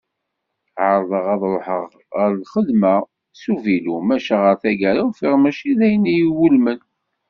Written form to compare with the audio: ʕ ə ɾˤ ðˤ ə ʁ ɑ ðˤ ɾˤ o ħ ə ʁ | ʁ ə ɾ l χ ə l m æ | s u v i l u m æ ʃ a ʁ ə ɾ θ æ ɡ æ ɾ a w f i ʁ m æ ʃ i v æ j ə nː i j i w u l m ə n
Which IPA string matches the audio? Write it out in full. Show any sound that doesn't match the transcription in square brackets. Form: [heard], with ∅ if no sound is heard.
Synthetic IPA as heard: ʕ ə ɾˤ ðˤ ə ʁ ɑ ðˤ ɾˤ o ħ ə ʁ | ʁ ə ɾ l χ ə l m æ | s u v i l u m æ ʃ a ʁ ə ɾ θ æ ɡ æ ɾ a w f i ʁ m æ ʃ i [ð] æ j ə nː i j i w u l m ə n